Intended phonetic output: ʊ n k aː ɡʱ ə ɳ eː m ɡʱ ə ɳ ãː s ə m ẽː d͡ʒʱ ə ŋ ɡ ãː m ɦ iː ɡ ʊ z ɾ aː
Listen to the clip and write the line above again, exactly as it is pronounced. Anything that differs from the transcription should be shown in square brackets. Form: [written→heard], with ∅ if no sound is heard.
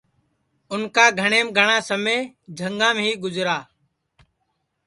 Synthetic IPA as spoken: ʊ n k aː ɡʱ ə ɳ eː m ɡʱ ə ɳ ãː s ə m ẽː d͡ʒʱ ə ŋ ɡ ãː m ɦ iː ɡ ʊ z ɾ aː